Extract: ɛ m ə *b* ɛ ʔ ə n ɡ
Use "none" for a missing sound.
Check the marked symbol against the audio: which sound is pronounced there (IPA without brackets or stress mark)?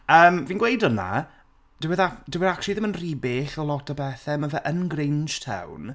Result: v